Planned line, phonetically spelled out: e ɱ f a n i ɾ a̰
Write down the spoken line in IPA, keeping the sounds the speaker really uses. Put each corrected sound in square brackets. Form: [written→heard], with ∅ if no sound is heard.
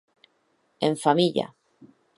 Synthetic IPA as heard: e ɱ f a [n→m] i [ɾ→ʎ] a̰